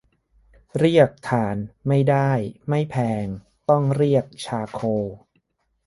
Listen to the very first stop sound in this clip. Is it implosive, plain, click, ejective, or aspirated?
plain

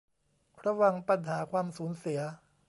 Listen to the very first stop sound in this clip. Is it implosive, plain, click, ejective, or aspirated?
plain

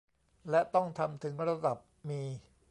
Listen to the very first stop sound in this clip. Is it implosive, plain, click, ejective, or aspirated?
plain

